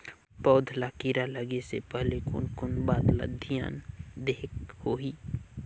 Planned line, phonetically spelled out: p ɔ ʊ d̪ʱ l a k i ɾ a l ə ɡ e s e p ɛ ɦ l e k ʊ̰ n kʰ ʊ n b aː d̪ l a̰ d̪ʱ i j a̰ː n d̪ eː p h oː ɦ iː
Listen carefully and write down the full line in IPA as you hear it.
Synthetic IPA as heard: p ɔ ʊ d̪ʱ l a k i ɾ a l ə ɡ e s e p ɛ ɦ l e k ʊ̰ n k ʊ n b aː d̪ l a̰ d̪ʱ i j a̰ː n d̪ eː k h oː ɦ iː